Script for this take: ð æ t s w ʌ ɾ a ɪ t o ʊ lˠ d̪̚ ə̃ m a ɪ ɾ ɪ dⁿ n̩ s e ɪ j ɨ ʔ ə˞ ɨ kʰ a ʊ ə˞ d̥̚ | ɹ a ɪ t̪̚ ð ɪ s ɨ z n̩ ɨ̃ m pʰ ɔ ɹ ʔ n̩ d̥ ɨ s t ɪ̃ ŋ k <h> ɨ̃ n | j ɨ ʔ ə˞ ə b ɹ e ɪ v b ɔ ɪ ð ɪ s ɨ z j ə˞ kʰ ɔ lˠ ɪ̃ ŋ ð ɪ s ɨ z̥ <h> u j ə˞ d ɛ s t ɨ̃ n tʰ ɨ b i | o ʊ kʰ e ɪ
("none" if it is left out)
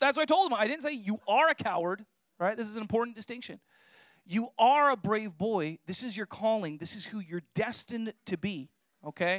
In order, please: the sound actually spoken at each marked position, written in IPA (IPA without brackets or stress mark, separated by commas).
ʃ, h